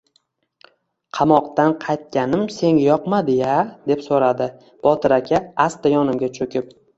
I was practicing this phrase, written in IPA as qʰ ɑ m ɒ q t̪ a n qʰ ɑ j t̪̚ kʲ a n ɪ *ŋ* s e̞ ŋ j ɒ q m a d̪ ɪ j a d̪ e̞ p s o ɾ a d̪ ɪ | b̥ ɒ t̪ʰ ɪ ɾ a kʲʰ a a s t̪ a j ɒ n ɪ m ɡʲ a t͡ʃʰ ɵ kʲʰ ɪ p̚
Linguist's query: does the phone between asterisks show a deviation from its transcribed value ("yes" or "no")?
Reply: yes